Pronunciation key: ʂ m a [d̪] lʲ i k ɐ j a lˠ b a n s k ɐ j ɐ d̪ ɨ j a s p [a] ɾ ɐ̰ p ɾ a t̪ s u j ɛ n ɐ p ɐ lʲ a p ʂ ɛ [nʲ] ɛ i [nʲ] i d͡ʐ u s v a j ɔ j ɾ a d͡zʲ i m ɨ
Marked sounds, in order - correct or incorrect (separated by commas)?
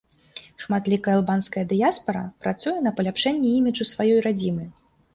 incorrect, incorrect, incorrect, incorrect